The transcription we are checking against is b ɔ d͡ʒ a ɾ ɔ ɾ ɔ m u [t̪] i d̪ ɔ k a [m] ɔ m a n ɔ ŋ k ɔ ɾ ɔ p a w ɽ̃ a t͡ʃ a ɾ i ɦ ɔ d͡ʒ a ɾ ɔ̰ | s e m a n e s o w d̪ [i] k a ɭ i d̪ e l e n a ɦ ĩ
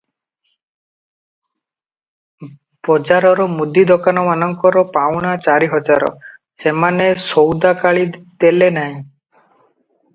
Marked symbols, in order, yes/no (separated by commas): no, no, no